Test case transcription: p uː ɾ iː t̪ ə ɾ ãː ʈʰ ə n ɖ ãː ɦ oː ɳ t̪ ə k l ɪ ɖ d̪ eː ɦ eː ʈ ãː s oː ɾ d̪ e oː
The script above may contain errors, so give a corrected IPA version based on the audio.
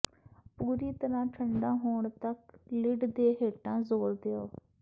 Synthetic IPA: p uː ɾ iː t̪ ə ɾ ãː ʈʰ ə ɳ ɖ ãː ɦ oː ɳ t̪ ə k l ɪ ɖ d̪ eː ɦ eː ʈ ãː z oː ɾ d̪ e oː